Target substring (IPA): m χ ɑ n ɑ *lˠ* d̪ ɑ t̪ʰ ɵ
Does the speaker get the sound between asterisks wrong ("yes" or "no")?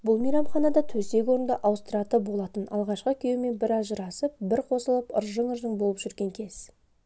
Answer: yes